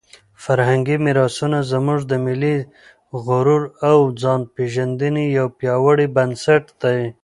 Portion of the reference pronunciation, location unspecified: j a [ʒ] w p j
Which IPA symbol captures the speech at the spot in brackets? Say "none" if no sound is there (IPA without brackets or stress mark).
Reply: none